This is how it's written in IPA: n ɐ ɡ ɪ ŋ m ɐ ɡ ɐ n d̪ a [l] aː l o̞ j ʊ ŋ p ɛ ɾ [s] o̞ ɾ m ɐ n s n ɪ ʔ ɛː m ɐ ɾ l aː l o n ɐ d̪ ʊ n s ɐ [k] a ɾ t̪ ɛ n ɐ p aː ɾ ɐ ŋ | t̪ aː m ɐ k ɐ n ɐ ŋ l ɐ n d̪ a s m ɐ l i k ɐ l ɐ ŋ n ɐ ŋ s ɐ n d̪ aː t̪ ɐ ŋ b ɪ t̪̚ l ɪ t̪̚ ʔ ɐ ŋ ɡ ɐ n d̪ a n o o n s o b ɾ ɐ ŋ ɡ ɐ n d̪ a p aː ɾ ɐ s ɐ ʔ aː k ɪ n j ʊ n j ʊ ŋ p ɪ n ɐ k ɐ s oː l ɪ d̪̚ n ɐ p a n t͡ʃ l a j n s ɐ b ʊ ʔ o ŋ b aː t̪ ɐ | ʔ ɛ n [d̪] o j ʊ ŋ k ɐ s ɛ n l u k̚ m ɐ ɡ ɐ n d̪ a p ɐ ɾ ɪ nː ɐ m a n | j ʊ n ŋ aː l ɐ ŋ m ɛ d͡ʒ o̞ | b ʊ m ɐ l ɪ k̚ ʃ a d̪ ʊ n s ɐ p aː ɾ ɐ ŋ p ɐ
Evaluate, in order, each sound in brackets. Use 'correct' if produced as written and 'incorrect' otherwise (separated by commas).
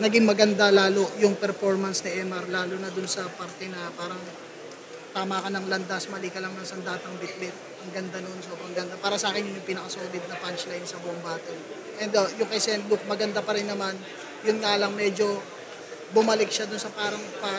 correct, incorrect, incorrect, correct